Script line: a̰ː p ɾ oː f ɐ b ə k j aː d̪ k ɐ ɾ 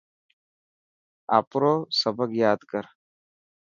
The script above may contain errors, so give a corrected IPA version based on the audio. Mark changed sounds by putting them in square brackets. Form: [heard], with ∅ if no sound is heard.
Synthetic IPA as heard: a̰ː p ɾ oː [s] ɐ b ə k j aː d̪ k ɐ ɾ